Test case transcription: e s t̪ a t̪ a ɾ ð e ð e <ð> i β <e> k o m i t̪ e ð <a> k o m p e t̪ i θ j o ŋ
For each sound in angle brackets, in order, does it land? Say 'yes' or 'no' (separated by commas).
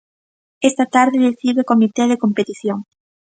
no, yes, no